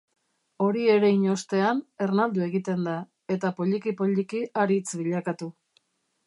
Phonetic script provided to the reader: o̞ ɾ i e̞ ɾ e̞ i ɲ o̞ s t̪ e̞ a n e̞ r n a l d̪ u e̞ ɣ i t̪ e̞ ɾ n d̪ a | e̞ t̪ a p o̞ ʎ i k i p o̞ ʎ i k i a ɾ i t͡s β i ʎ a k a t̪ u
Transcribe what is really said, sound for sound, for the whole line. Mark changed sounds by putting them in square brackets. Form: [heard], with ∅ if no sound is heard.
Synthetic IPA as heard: o̞ ɾ i e̞ ɾ e̞ i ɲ o̞ s t̪ e̞ a n e̞ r n a l d̪ u e̞ ɣ i t̪ e̞ [∅] n d̪ a | e̞ t̪ a p o̞ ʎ i k i p o̞ ʎ i k i a ɾ i t͡s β i ʎ a k a t̪ u

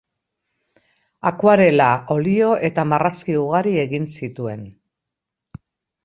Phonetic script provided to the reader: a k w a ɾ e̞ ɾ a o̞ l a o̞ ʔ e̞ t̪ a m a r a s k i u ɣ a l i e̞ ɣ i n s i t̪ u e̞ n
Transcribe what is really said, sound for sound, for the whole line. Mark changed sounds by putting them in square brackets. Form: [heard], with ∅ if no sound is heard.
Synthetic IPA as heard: a k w a ɾ e̞ [l] a o̞ l [i] o̞ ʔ e̞ t̪ a m a r a s k i u ɣ a [ɾ] i e̞ ɣ i n s i t̪ u e̞ n

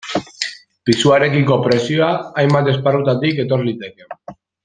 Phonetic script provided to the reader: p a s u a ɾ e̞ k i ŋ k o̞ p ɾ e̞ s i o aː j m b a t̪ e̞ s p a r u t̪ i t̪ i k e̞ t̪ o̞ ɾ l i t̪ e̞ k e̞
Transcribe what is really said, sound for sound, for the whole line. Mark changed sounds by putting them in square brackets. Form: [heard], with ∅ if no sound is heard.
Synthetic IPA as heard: p [i] s u a ɾ e̞ k i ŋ k o̞ p ɾ e̞ s i o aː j m b a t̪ e̞ s p a r u t̪ [a] t̪ i k e̞ t̪ o̞ ɾ l i t̪ e̞ k e̞

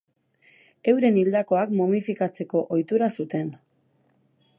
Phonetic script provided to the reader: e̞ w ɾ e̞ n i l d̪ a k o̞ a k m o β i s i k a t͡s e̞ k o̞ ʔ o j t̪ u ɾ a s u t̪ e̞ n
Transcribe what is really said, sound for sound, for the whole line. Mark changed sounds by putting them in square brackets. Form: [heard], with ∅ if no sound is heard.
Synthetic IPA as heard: e̞ w ɾ e̞ n i l d̪ a k o̞ a k m o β i [f] i k a t͡s e̞ k o̞ ʔ o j t̪ u ɾ a s u t̪ e̞ n

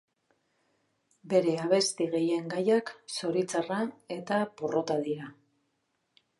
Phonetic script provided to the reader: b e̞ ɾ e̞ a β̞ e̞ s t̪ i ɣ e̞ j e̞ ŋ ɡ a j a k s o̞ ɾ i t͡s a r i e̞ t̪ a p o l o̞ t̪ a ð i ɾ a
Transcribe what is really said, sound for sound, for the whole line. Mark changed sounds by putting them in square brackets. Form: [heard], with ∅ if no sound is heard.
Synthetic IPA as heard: b e̞ ɾ e̞ a β̞ e̞ s t̪ i ɣ e̞ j e̞ ŋ ɡ a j a k s o̞ ɾ i t͡s a r [a] e̞ t̪ a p o [r] o̞ t̪ a ð i ɾ a

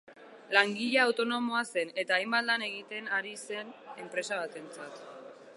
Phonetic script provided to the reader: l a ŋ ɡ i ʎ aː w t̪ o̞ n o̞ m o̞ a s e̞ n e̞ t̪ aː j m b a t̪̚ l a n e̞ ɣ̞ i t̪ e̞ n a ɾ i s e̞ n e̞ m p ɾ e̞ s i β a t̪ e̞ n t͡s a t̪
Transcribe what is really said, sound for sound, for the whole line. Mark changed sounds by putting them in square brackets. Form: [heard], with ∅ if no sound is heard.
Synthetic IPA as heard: l a ŋ ɡ i ʎ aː w t̪ o̞ n o̞ m o̞ a s e̞ n e̞ t̪ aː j m b a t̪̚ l a n e̞ ɣ̞ i t̪ e̞ n a ɾ i s e̞ n e̞ m p ɾ e̞ s [a] β a t̪ e̞ n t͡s a t̪

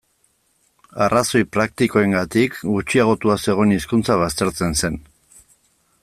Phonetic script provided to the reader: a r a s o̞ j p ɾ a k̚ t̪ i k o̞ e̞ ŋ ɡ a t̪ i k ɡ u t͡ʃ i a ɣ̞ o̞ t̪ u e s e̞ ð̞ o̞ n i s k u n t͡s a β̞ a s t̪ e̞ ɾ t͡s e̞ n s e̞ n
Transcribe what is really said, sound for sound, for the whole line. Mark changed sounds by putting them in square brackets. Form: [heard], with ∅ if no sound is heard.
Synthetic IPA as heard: a r a s o̞ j p ɾ a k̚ t̪ i k o̞ e̞ ŋ ɡ a t̪ i k ɡ u t͡ʃ i a ɣ̞ o̞ t̪ u [a] s e̞ [ɣ̞] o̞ n i s k u n t͡s a β̞ a s t̪ e̞ ɾ t͡s e̞ n s e̞ n

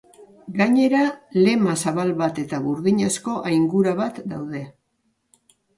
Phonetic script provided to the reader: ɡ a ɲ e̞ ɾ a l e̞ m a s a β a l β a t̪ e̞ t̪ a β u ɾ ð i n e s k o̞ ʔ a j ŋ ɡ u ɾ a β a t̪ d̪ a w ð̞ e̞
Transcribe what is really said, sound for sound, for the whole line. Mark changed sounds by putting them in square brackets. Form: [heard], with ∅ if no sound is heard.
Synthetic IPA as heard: ɡ a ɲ e̞ ɾ a l e̞ m a s a β a l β a t̪ e̞ t̪ a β u ɾ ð i [ɲ] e s k o̞ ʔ a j ŋ ɡ u ɾ a β a t̪ d̪ a w ð̞ e̞

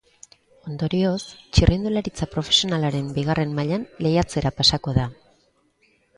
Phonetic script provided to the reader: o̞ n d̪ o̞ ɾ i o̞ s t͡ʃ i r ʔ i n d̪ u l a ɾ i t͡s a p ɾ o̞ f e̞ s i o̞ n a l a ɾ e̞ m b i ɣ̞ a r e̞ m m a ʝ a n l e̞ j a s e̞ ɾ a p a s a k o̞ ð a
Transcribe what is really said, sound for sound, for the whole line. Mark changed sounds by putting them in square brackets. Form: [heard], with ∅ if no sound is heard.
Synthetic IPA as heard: o̞ n d̪ o̞ ɾ i o̞ s t͡ʃ i r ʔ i n d̪ u l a ɾ i t͡s a p ɾ o̞ f e̞ s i o̞ n a l a ɾ e̞ m b i ɣ̞ a r e̞ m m a [ʎ] a n l e̞ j a [t͡s] e̞ ɾ a p a s a k o̞ ð a

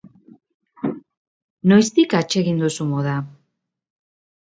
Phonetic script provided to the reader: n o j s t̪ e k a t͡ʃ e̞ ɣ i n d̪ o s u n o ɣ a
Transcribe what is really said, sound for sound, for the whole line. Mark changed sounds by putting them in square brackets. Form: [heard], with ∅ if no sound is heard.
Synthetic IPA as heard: n o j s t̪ [i] k a t͡ʃ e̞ ɣ i n d̪ [u] s u [m] o [ð] a

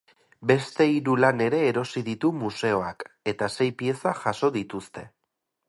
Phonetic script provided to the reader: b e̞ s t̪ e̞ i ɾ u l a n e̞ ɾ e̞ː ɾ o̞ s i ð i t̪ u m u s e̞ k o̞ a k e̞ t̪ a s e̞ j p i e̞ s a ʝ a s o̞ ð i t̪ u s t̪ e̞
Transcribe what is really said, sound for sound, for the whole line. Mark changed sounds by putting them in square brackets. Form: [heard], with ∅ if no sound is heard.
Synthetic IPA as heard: b e̞ s t̪ e̞ i ɾ u l a n e̞ ɾ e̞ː ɾ o̞ s i ð i t̪ u m u s e̞ [∅] o̞ a k e̞ t̪ a s e̞ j p i e̞ s a ʝ a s o̞ ð i t̪ u s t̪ e̞

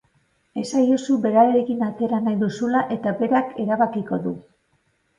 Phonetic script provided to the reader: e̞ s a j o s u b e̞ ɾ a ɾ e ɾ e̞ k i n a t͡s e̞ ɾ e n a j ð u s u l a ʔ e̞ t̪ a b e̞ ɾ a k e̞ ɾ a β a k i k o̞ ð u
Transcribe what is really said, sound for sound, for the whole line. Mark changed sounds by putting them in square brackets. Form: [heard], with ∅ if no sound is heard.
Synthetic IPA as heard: e̞ s a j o s u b e̞ ɾ a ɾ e ɾ e̞ k i n a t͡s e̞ ɾ [a] n a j ð u s u l a ʔ e̞ t̪ a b e̞ ɾ a k e̞ ɾ a β a k i k o̞ ð u

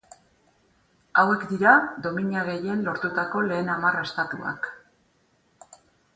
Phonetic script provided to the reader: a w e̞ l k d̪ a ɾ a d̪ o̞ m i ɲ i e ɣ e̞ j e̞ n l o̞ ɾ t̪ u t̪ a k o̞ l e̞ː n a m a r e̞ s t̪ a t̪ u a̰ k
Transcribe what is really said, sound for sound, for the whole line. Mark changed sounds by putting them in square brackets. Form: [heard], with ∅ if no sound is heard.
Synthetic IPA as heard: a w e̞ [∅] k d̪ [i] ɾ a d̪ o̞ m i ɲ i [a] ɣ e̞ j e̞ n l o̞ ɾ t̪ u t̪ a k o̞ l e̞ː n a m a r e̞ s t̪ a t̪ u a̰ k

